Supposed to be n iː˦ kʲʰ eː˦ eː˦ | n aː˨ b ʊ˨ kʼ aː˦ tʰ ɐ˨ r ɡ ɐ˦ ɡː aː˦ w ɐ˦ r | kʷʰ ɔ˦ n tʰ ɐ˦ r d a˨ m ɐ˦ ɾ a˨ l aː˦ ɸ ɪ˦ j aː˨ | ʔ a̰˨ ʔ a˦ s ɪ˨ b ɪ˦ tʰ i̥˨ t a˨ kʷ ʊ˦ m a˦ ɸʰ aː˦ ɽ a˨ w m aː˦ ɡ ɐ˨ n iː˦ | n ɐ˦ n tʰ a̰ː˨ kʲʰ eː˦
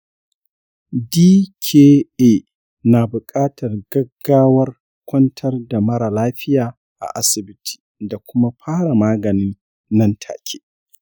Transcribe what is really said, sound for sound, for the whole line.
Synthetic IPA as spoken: d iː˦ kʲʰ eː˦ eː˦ | n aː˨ b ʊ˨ kʼ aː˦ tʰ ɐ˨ r ɡ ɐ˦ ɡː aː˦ w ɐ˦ r | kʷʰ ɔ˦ n tʰ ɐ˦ r d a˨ m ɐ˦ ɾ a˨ l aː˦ ɸ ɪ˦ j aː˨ | ʔ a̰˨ ʔ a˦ s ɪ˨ b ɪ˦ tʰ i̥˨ d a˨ kʷ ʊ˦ m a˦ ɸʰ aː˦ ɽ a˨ m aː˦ ɡ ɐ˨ n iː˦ | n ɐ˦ n tʰ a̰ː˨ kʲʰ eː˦